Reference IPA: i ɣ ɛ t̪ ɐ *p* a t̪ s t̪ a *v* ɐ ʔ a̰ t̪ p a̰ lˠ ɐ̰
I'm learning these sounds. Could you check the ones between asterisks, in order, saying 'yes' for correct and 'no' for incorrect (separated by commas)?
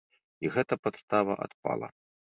yes, yes